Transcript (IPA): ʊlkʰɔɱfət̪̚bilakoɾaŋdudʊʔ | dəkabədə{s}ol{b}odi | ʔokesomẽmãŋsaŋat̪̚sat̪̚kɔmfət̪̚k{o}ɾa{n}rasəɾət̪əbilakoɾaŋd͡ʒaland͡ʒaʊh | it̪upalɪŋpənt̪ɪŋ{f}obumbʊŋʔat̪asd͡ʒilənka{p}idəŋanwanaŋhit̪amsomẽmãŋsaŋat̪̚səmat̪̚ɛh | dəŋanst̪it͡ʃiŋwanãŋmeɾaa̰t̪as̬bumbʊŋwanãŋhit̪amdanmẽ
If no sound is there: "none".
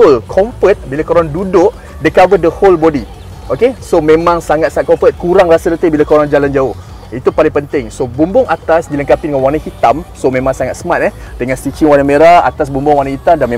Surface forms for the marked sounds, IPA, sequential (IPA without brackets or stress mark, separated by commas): h, b, u, ŋ, s, p